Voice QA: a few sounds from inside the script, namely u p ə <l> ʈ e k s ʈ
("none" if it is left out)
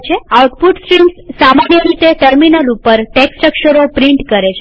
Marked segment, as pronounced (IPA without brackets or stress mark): ɾ